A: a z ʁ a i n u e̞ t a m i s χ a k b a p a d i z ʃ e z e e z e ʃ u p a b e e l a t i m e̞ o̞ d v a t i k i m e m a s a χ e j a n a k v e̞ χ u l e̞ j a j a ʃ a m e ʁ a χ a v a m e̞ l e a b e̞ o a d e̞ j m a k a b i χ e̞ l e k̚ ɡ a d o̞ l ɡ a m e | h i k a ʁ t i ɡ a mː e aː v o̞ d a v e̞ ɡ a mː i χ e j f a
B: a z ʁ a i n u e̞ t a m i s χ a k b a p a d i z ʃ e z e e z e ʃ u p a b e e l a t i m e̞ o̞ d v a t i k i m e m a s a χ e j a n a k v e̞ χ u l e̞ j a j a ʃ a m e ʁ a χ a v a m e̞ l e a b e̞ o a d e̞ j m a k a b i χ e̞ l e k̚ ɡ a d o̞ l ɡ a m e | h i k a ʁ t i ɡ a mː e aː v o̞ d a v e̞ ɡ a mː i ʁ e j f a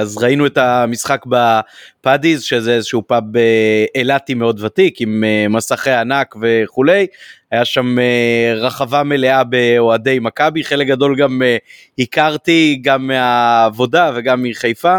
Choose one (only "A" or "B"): A